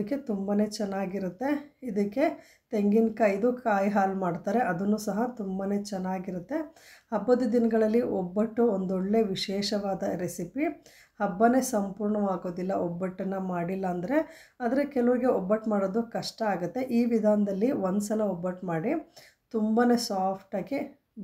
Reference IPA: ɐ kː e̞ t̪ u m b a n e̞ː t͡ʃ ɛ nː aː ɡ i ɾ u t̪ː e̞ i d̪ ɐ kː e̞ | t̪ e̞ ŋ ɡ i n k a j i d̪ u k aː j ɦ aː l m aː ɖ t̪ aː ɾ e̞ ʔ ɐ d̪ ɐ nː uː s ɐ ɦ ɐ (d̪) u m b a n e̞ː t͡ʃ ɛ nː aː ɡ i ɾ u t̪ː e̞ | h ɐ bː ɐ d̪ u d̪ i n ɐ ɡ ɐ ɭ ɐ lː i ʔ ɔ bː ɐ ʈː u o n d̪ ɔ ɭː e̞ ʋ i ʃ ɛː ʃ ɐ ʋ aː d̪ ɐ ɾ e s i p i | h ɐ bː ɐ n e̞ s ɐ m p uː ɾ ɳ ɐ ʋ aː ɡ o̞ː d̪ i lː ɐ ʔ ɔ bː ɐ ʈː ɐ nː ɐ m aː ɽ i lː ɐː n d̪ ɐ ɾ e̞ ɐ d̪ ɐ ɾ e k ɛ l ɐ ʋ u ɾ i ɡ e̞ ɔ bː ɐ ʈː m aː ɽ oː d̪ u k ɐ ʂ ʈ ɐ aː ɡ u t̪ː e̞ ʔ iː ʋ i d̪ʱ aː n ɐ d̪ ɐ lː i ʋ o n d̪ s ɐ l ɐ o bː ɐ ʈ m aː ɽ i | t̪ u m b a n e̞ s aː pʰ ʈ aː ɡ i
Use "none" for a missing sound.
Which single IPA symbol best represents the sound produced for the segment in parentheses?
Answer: t̪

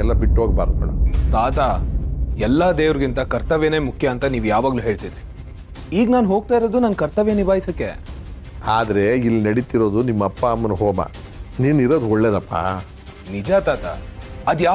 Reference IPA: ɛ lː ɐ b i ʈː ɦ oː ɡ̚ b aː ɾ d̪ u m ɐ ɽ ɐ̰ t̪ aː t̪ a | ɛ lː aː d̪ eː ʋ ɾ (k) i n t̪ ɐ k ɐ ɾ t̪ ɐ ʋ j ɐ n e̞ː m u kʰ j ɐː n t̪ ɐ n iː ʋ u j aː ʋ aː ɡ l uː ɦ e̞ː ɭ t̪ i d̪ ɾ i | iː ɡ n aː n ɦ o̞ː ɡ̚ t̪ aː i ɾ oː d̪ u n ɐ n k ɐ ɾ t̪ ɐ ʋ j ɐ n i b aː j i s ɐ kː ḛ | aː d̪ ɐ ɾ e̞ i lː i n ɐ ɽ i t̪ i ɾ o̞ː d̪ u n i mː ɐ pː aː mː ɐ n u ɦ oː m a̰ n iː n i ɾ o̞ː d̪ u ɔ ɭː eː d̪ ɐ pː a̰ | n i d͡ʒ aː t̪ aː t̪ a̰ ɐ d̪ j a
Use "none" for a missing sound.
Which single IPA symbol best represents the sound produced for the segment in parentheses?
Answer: ɡ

